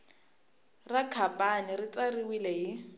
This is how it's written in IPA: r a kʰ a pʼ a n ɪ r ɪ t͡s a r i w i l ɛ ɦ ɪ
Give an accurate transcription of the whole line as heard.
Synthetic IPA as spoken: r a kʰ a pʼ a n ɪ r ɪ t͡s a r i w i l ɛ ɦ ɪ